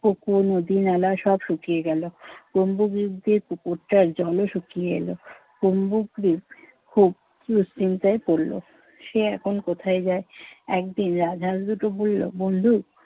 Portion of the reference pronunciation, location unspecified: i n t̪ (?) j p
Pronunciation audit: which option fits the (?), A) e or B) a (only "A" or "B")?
B